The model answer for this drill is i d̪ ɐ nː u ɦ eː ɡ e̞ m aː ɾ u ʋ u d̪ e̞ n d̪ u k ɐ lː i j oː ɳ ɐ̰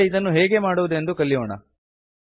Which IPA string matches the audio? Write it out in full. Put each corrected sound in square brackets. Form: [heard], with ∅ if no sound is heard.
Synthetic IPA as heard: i d̪ ɐ nː u ɦ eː ɡ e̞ m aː [ɽ] u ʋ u d̪ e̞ n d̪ u k ɐ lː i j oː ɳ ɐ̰